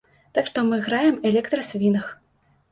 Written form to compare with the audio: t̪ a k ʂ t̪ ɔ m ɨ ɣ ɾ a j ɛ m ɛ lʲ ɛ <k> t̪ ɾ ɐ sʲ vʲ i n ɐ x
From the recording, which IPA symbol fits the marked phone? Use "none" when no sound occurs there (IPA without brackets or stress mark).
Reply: k